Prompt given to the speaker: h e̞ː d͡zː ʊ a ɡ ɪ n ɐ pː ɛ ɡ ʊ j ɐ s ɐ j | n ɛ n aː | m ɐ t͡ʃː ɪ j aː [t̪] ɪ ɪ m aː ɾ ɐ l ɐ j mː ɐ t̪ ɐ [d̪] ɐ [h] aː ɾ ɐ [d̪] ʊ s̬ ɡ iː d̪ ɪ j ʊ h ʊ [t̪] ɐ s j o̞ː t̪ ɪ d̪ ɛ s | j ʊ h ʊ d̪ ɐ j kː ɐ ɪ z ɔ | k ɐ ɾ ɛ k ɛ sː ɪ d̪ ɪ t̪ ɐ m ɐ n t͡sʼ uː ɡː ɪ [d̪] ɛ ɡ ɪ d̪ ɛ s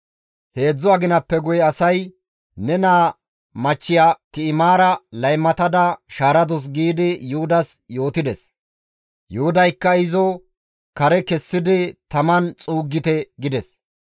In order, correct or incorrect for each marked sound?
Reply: correct, correct, incorrect, correct, incorrect, incorrect

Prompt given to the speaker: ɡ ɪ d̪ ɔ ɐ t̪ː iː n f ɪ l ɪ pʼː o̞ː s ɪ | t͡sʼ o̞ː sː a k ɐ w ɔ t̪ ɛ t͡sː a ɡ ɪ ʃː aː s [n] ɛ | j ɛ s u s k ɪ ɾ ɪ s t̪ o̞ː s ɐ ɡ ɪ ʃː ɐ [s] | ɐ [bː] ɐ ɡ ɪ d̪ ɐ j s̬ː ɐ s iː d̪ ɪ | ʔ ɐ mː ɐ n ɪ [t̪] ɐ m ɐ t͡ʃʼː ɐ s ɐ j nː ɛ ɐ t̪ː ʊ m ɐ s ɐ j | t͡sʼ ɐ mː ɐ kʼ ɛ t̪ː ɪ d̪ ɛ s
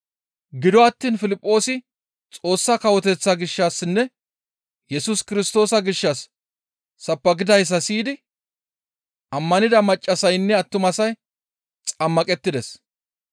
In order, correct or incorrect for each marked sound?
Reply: incorrect, incorrect, incorrect, incorrect

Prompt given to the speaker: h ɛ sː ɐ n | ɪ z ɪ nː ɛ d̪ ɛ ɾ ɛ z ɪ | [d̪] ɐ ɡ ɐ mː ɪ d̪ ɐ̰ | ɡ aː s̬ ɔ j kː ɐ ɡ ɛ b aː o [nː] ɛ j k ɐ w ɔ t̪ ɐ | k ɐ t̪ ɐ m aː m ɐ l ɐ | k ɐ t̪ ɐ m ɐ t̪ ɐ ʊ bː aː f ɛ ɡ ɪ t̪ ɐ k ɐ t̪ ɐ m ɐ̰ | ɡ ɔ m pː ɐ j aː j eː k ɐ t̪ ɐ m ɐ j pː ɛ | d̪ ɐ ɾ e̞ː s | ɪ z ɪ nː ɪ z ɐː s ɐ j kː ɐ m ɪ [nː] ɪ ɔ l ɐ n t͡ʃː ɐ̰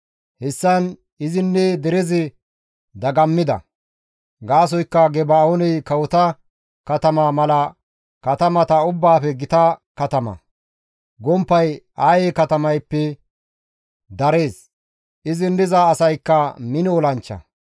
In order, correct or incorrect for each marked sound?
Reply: correct, incorrect, incorrect

